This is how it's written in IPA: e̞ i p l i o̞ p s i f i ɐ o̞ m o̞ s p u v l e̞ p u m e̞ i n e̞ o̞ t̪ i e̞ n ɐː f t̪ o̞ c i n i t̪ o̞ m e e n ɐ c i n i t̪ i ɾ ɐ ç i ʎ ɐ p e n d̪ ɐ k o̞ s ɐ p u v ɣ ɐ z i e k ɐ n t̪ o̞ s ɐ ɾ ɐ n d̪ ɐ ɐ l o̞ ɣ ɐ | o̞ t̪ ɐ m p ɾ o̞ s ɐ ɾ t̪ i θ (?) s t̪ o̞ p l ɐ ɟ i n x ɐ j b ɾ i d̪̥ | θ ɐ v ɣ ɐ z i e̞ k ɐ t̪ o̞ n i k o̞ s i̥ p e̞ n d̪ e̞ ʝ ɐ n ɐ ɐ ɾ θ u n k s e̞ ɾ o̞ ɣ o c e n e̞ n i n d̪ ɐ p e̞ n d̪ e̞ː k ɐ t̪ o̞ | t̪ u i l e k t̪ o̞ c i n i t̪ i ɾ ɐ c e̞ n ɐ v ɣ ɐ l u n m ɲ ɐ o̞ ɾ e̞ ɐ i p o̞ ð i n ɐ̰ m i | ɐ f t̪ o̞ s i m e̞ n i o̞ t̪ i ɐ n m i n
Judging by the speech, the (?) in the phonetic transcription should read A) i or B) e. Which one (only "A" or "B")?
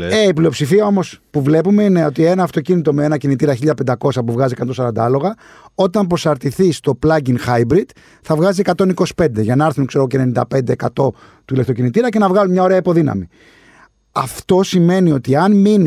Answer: A